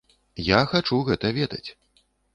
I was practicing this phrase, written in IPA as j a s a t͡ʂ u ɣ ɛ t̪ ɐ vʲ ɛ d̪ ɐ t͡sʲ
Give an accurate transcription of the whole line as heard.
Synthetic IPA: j a x a t͡ʂ u ɣ ɛ t̪ ɐ vʲ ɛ d̪ ɐ t͡sʲ